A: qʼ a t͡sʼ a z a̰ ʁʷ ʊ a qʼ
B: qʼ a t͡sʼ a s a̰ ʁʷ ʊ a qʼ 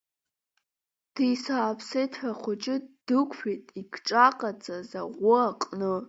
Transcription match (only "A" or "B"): A